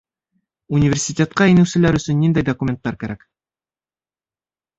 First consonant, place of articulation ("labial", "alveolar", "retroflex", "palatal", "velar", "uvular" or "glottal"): alveolar